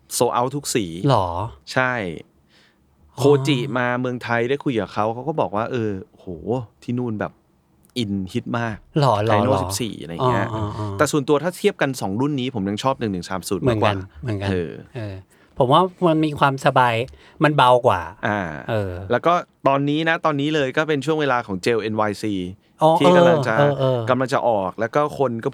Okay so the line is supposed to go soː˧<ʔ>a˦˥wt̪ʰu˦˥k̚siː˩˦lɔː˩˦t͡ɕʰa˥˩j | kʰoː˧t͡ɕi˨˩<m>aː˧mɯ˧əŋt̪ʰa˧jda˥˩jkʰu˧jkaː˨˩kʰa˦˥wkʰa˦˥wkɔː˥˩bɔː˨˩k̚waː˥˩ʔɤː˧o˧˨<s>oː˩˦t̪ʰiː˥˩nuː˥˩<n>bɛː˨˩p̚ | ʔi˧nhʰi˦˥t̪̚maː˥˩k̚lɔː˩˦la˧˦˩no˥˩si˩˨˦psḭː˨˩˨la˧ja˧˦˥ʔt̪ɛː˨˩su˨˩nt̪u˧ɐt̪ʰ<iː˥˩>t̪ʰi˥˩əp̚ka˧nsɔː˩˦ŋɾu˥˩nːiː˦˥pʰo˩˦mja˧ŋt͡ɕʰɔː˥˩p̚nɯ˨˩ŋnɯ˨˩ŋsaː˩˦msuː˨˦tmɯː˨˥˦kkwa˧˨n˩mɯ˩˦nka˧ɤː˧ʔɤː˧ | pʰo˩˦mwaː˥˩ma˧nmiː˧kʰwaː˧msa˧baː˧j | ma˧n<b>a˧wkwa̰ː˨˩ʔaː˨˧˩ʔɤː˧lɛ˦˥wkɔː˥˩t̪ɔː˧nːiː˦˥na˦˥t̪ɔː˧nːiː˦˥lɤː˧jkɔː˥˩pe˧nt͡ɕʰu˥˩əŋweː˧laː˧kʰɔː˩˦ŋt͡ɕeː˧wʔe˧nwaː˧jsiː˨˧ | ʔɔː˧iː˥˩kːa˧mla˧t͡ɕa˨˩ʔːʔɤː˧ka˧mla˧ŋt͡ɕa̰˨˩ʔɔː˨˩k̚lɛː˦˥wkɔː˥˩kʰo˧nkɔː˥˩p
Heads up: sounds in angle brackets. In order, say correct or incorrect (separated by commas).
correct, correct, incorrect, correct, incorrect, correct